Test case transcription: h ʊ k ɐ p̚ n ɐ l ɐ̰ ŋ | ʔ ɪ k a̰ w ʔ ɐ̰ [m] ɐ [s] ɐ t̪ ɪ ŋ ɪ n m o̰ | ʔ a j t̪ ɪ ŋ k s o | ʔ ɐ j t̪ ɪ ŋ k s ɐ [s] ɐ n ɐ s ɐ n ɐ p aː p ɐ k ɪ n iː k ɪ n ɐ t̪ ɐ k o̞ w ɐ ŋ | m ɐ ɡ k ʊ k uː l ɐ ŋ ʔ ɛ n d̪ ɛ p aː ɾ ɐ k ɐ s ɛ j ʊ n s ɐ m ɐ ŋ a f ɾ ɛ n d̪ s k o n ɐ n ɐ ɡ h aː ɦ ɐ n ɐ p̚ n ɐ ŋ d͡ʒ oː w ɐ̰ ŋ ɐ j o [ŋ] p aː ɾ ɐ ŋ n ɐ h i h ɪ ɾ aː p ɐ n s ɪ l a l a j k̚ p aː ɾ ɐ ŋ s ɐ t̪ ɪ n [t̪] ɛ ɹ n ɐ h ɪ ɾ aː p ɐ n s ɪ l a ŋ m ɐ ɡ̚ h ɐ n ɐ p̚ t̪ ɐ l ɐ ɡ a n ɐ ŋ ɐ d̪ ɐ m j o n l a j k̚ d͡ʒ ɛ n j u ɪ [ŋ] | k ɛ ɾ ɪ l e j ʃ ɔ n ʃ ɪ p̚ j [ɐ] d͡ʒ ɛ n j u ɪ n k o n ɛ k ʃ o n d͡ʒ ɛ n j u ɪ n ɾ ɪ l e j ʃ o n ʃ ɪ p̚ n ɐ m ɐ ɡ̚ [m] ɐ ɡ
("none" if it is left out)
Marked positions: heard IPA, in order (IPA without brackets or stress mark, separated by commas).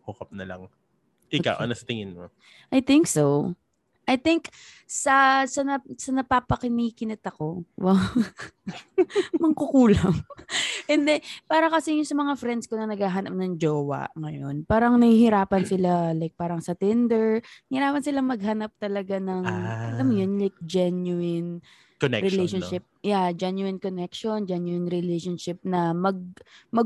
n, s, s, n, d̪, n, a, m